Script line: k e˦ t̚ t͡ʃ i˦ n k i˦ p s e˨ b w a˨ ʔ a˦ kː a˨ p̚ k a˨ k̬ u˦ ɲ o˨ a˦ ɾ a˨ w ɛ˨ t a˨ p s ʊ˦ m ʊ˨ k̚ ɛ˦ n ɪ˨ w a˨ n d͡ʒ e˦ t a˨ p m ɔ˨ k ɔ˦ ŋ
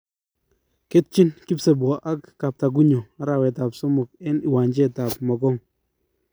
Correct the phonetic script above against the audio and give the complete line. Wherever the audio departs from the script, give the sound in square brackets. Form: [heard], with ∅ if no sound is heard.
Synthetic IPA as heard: k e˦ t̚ t͡ʃ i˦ n k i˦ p s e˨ b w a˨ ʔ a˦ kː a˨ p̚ [t] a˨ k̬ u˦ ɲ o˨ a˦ ɾ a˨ w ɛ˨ t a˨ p s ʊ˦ m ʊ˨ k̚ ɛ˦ n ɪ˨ w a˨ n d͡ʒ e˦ t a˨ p m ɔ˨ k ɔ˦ ŋ